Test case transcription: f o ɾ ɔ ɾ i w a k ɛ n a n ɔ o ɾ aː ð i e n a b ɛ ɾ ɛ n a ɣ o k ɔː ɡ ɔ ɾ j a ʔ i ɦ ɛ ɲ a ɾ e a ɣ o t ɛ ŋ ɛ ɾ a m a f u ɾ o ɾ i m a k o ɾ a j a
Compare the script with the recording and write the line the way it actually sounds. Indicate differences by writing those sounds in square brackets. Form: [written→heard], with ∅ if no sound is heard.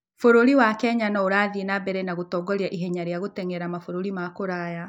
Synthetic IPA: f o ɾ [ɔ→o] ɾ i w a k ɛ [n→ɲ] a n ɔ o ɾ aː ð i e n a b ɛ ɾ ɛ n a ɣ o [k→t] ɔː ɡ ɔ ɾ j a ʔ i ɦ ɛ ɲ a ɾ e a ɣ o t ɛ ŋ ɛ ɾ a m a f [u→o] ɾ o ɾ i m a k o ɾ a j a